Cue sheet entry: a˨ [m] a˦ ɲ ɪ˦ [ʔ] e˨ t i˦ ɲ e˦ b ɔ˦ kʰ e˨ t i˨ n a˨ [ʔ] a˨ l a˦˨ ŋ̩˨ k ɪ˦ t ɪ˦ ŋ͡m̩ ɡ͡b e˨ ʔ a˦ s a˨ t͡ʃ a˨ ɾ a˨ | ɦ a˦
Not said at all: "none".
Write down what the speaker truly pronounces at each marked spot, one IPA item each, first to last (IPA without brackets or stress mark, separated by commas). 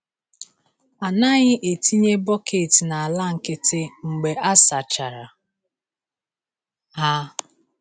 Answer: n, ʔ, none